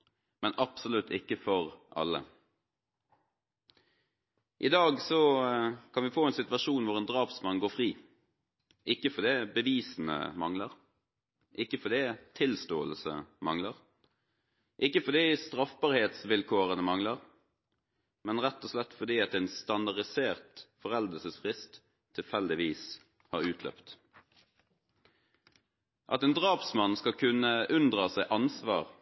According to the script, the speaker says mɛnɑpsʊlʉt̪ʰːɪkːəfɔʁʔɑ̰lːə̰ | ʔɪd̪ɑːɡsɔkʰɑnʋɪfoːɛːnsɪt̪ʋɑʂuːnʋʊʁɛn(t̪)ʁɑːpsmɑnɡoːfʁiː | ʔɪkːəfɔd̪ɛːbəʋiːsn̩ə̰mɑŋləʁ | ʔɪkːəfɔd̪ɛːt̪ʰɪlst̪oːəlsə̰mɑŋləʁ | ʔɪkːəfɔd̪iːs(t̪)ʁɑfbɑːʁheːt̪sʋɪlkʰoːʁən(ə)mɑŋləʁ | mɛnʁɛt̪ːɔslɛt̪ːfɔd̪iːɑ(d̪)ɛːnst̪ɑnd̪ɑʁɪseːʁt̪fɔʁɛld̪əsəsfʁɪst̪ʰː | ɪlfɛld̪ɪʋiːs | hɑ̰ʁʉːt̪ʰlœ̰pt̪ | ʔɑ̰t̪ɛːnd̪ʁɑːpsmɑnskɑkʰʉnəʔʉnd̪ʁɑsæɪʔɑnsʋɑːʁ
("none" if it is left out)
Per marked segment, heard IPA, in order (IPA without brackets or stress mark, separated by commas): d̪, t̪, ə, t̪